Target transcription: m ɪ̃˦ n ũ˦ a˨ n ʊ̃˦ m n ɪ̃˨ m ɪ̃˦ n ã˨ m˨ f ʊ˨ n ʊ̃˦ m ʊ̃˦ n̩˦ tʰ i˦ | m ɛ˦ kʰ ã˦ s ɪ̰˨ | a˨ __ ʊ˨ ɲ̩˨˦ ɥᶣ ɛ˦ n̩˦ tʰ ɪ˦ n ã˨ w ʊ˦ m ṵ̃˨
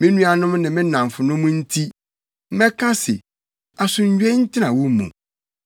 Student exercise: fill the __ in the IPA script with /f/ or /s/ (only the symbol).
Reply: s